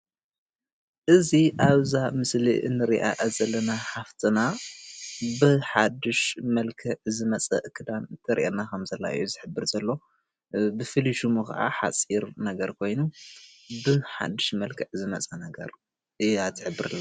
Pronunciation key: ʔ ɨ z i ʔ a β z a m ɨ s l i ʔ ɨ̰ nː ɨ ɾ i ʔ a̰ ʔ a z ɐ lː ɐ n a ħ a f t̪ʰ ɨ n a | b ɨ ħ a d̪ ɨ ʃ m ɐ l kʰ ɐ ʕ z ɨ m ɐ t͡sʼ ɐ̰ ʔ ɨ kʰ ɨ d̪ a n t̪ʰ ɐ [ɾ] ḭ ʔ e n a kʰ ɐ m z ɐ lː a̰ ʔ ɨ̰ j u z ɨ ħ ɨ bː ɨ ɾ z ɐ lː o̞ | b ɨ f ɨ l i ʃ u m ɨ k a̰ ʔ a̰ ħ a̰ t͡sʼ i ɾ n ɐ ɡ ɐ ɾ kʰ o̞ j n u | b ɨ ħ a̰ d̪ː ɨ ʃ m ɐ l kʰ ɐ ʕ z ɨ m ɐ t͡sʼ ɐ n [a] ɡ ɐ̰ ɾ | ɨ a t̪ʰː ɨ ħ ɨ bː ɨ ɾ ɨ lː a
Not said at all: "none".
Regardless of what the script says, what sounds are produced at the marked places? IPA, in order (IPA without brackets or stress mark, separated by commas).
ɾ, ɐ